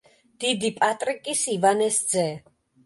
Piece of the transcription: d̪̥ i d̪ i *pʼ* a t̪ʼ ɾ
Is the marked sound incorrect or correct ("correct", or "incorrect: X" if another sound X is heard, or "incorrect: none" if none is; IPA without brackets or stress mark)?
correct